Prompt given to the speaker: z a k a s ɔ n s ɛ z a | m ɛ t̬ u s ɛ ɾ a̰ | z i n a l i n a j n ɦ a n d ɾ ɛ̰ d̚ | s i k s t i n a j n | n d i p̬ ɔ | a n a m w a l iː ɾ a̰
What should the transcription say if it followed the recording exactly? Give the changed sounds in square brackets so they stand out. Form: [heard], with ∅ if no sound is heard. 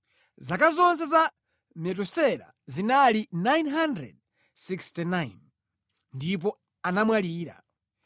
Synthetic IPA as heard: z a k a [z] ɔ n s ɛ z a | m ɛ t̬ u s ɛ ɾ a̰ | z i n a l i n a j n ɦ a n d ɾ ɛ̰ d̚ | s i k s t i n a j n | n d i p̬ ɔ | a n a m w a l iː ɾ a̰

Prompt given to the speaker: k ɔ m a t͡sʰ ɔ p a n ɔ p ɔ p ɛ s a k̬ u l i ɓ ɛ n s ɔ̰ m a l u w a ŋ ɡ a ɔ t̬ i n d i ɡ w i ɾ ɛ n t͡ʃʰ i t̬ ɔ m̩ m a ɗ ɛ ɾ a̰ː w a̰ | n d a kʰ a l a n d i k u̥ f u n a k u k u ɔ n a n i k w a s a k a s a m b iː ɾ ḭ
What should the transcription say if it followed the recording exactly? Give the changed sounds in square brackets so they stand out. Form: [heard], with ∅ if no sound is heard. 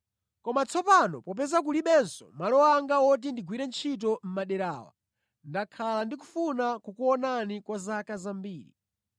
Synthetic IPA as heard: k ɔ m a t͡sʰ ɔ p a n ɔ p ɔ p ɛ [z] a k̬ u l i ɓ ɛ n s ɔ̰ m a l [ɔ] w a ŋ ɡ a ɔ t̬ i n d i ɡ w i ɾ ɛ n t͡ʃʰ i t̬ ɔ m̩ m a ɗ ɛ ɾ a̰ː w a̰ | n d a kʰ a l a n d i k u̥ f u n a k u k u ɔ n a n i k w a [z] a k a [z] a m b iː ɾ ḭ

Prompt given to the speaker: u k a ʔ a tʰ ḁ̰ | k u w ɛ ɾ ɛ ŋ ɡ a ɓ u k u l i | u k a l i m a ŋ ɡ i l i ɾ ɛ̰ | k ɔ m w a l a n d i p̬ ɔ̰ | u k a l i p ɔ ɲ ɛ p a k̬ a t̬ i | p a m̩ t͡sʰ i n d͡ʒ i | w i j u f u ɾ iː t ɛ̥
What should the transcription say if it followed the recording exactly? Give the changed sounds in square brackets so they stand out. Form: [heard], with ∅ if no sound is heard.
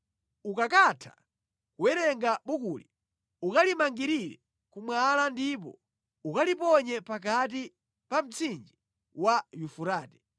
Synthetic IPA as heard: u k a [k] a tʰ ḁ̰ | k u w ɛ ɾ ɛ ŋ ɡ a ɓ u k u l i | u k a l i m a ŋ ɡ i [ɾ] i ɾ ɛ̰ | k [u] m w a l a n d i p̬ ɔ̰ | u k a l i p ɔ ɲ ɛ p a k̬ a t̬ i | p a m̩ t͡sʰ i n d͡ʒ i | w [a] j u f u ɾ [aː] t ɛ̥

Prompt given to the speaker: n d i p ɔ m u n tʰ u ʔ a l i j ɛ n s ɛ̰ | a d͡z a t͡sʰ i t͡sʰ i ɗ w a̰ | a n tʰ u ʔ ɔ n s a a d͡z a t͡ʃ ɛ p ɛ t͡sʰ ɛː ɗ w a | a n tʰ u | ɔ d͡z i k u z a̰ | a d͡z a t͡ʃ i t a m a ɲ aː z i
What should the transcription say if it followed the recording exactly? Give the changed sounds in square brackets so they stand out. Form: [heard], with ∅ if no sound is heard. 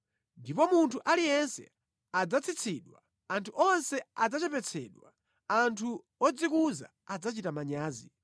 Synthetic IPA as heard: n d i p ɔ m u n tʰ u ʔ a l i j ɛ n s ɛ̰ | a d͡z a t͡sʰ i t͡sʰ i ɗ w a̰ | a n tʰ u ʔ ɔ n s [ɛ] a d͡z a t͡ʃ ɛ p ɛ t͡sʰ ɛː ɗ w a | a n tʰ u | ɔ d͡z i k u z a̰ | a d͡z a t͡ʃ i t a m a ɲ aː z i

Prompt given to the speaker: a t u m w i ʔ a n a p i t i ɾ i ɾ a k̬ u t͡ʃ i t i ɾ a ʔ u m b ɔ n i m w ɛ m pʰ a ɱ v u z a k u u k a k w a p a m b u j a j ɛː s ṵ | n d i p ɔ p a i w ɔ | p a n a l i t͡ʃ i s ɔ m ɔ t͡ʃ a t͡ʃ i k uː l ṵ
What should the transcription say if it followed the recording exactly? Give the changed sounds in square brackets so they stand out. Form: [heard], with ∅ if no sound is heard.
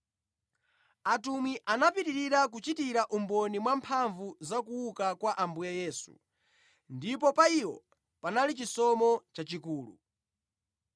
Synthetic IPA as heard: a t u m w i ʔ a n a p i t i ɾ i ɾ a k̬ u t͡ʃ i t i ɾ a ʔ u m b ɔ n i m w [a] m pʰ a ɱ v u z a k u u k a k w a [ʔ] a m b u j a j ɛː s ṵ | n d i p ɔ p a i w ɔ | p a n a l i t͡ʃ i s ɔ m ɔ t͡ʃ a t͡ʃ i k uː l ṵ

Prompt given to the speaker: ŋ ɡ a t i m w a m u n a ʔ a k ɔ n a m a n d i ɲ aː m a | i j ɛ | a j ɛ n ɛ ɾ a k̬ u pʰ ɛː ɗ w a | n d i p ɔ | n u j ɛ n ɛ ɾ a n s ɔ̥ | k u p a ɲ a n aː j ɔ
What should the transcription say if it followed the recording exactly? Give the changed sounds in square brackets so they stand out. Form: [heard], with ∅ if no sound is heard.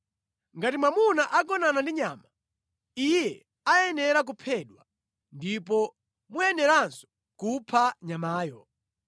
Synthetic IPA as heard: ŋ ɡ a t i m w a m u n a ʔ a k ɔ n a [n] a n d i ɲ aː m a | i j ɛ | a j ɛ n ɛ ɾ a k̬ u pʰ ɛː ɗ w a | n d i p ɔ | [m] u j ɛ n ɛ ɾ a n s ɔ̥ | k u [pʰ] a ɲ a [m] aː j ɔ

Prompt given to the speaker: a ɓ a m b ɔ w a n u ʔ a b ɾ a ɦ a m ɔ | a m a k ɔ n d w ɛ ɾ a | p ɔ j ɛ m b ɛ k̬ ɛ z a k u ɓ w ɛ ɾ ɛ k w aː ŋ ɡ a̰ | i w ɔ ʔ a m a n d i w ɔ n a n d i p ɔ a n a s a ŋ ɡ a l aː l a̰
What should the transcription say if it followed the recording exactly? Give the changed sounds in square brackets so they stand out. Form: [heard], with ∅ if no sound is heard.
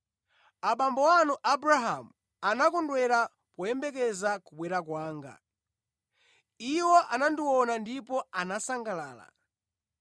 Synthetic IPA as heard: a ɓ a m b ɔ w a n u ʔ a b ɾ a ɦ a m [u] | a [n] a k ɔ n d w ɛ ɾ a | p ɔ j ɛ m b ɛ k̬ ɛ z a k u ɓ w ɛ ɾ [a] k w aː ŋ ɡ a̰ | i w ɔ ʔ a [n] a n d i w ɔ n a n d i p ɔ a n a s a ŋ ɡ a l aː l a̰

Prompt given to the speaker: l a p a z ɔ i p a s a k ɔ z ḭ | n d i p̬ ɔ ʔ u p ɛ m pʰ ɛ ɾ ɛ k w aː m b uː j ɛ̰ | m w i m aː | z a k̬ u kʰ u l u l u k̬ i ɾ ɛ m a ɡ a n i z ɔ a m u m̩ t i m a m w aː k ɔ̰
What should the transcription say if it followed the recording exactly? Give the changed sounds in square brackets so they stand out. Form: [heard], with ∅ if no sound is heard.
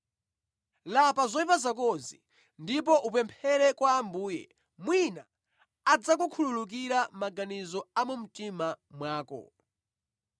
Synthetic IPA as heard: l a p a z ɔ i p a [z] a k ɔ z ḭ | n d i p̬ ɔ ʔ u p ɛ m pʰ ɛ ɾ ɛ k w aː m b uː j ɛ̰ | m w i [n] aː | [d͡z] a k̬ u kʰ u l u l u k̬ i ɾ [a] m a ɡ a n i z ɔ a m u m̩ t i m a m w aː k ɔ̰

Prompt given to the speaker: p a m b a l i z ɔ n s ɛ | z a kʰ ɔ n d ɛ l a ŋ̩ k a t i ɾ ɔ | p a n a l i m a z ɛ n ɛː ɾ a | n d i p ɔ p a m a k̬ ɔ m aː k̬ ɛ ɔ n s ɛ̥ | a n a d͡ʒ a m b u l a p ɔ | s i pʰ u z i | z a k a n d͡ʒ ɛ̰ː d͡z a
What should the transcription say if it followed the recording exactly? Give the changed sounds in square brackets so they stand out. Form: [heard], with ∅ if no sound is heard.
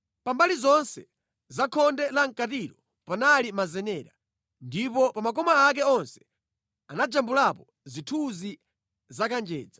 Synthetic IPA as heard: p a m b a l i z ɔ n s ɛ | z a kʰ ɔ n d ɛ l a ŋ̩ k a t i ɾ ɔ | p a n a l i m a z ɛ n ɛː ɾ a | n d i p ɔ p a m a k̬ ɔ m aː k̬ ɛ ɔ n s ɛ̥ | a n a d͡ʒ a m b u l a p ɔ | [z] i [tʰ] u z i | z a k a n d͡ʒ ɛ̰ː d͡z a

